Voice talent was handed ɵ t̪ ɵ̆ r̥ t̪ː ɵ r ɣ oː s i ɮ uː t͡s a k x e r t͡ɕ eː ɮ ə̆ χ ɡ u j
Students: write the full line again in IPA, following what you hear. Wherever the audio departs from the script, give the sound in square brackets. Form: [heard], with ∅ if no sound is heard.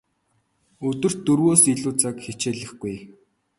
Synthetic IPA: ɵ t̪ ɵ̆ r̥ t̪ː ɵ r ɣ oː s i ɮ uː t͡s a k x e [∅] t͡ɕ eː ɮ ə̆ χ ɡ u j